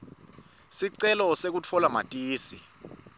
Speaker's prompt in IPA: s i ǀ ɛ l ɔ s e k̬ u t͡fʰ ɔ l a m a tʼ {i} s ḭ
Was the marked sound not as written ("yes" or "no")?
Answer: yes